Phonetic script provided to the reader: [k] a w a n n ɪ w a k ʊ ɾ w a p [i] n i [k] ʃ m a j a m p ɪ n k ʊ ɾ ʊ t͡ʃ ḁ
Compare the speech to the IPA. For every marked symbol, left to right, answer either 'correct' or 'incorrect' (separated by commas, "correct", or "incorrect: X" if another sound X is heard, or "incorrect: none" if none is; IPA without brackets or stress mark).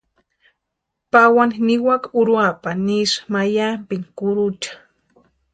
incorrect: p, incorrect: a, incorrect: none